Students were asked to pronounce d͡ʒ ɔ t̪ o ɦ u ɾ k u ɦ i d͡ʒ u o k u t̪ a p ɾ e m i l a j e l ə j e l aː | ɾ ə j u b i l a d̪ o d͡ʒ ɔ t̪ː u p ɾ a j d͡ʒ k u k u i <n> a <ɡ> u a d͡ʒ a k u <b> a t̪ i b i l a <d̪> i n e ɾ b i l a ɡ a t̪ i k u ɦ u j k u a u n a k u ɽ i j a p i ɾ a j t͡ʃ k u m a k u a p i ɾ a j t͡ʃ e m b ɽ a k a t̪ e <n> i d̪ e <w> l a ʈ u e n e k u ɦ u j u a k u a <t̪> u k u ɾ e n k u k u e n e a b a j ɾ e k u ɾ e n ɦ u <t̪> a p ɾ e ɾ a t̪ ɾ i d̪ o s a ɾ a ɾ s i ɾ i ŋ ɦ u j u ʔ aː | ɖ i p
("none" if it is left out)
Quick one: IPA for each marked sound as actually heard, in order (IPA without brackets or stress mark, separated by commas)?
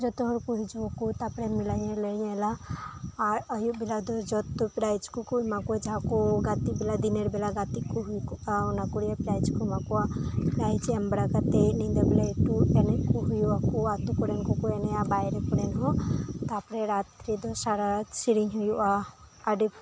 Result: m, k, ɡ, d̪, n, b, t̪, t̪